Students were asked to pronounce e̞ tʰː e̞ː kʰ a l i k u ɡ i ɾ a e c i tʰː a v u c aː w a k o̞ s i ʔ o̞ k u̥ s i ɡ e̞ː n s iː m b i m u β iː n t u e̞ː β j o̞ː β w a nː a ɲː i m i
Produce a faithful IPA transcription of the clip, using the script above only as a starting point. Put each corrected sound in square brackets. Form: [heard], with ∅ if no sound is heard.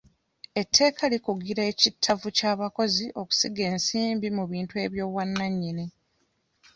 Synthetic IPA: e̞ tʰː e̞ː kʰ a l i k u ɡ i ɾ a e c i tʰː a v u c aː [β] a k o̞ [z] i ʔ o̞ k u̥ s i ɡ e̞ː n s iː m b i m u β iː n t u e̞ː β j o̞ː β w a nː a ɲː i [n] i

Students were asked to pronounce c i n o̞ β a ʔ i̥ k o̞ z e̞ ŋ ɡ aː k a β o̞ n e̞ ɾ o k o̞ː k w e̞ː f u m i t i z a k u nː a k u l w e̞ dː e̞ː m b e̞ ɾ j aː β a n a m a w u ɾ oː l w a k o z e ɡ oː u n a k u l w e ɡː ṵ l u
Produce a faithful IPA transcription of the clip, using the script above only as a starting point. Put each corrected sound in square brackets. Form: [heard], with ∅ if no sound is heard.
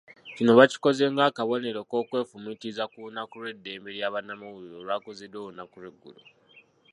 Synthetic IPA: c i n o̞ β a [c] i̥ k o̞ z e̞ ŋ ɡ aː k a β o̞ n e̞ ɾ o k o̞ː k w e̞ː f u m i t i z a k u [n] a k u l w e̞ dː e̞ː m b e̞ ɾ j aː β a n a m a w u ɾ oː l w a k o z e [d] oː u n a k u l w e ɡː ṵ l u

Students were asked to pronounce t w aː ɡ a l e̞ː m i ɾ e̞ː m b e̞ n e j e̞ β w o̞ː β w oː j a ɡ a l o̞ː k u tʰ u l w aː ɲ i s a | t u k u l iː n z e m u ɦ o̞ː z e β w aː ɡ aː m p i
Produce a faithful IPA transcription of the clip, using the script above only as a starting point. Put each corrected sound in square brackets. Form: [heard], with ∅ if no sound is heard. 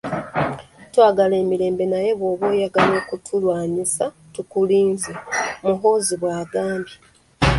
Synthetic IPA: t w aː ɡ a l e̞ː m i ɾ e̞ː m b e̞ n [a] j e̞ β w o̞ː β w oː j a ɡ a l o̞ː k u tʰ u l w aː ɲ i s a | t u k u l iː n z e m u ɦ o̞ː z [i] β w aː ɡ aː m [b] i

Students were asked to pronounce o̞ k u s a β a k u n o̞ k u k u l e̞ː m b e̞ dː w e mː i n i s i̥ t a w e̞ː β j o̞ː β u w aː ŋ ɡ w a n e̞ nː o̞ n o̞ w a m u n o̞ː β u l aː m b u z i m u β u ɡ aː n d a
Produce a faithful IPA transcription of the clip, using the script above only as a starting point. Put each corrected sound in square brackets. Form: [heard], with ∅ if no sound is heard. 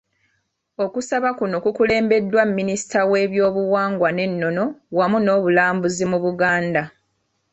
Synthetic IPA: o̞ k u s a β a k u n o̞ k u k u l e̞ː m b e̞ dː w [a] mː i n i s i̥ t a w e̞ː β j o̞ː β u w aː ŋ ɡ w a n e̞ nː o̞ n o̞ w a m u n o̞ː β u l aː m b u z i m u β u ɡ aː n d a

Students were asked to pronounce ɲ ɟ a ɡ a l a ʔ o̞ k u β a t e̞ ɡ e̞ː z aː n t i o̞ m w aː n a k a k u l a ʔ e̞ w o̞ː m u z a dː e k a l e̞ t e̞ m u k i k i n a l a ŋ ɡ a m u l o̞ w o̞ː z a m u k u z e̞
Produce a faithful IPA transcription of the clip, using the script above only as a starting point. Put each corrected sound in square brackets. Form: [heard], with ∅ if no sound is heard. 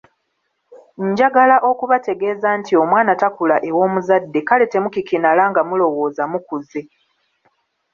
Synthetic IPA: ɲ ɟ a ɡ a l a ʔ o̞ k u β a t e̞ ɡ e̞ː z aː n t i o̞ m w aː n a [t] a k u l a ʔ e̞ w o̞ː m u z a dː e k a l e̞ t e̞ m u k i k i n a l a ŋ ɡ a m u l o̞ w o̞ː z a m u k u z e̞

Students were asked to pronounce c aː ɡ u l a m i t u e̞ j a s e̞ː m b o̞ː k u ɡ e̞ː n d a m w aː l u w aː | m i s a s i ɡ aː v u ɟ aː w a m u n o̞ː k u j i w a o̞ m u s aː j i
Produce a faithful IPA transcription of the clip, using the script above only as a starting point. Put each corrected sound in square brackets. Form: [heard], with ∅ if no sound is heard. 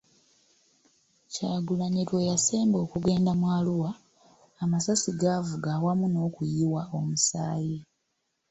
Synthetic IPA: c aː ɡ u l a [ɲ] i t [w] e̞ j a s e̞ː m b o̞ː k u ɡ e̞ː n d a m w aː l u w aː | m [a] s a s i ɡ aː v u [ɡ] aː w a m u n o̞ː k u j i w a o̞ m u s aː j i

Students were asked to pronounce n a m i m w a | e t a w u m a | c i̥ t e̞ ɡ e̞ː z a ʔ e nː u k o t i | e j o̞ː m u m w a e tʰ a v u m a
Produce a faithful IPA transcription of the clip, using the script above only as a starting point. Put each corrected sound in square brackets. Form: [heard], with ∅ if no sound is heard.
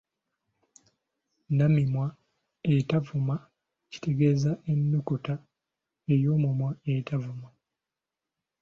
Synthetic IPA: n a m i m w a | e t a [v] u m a | c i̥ t e̞ ɡ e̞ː z a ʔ e nː u k [u] t [a] | e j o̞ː m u m w a e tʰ a v u m a

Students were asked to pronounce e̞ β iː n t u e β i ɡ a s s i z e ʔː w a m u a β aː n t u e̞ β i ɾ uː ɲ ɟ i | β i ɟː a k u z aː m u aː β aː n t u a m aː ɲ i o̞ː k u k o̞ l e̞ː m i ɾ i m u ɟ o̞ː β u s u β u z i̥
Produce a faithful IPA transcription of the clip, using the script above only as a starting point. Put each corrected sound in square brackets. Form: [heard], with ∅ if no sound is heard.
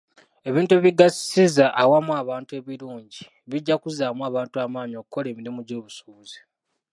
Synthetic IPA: e̞ β iː n t u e β i ɡ a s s i z [a] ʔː w a m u a β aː n t u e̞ β i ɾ uː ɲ ɟ i | β i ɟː a k u z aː m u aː β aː n t u a m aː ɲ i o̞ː k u k o̞ l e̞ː m i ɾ i m u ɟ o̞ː β u s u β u z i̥

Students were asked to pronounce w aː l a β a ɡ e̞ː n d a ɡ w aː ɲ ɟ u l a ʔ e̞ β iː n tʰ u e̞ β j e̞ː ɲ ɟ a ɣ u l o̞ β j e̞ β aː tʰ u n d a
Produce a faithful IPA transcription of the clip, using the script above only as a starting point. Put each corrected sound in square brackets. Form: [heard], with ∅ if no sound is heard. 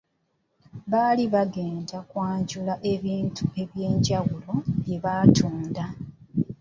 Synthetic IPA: [β] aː l [i] β a ɡ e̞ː n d a [k] w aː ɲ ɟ u l a ʔ e̞ β iː n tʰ u e̞ β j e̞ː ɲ ɟ a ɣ u l o̞ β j e̞ β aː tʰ [uː] n d a

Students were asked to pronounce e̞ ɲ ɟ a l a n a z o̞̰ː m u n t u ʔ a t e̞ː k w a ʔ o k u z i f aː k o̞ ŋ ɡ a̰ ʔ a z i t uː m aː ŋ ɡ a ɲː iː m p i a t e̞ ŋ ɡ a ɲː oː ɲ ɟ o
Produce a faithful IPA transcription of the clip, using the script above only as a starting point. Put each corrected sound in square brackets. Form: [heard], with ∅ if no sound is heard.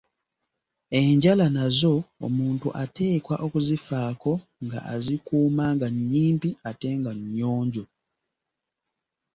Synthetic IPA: e̞ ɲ ɟ a l a n a z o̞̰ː m [uː] n t u ʔ a t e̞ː k w a ʔ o k u z i f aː k o̞ ŋ ɡ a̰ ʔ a z i [k] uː m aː ŋ ɡ a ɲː iː m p i a t e̞ ŋ ɡ a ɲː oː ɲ ɟ o

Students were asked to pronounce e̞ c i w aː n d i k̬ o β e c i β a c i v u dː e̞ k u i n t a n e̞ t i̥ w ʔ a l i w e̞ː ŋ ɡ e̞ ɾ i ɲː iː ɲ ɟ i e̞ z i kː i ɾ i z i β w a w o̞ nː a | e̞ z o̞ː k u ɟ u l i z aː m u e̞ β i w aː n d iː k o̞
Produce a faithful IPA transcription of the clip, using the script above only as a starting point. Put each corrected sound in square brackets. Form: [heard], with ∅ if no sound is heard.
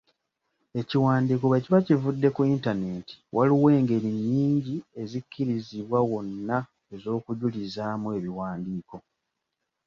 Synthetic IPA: e̞ c i w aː n d i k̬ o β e c i β a c i v u dː e̞ k u i n t a n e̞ t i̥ w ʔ a l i w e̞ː ŋ ɡ e̞ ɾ i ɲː iː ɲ ɟ i e̞ z i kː i ɾ i z i β w a w o̞ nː a | e̞ z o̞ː k u ɟ u l i z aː m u e̞ β i w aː n d iː k o̞

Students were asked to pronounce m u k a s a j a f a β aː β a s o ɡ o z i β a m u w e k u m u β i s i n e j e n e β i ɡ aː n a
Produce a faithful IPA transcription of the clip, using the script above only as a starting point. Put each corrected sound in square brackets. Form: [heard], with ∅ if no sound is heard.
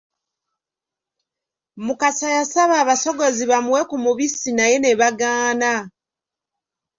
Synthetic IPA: m u k a s a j a [s] a β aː β a s o ɡ o z i β a m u w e k u m u β i s i n [a] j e n e β [a] ɡ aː n a

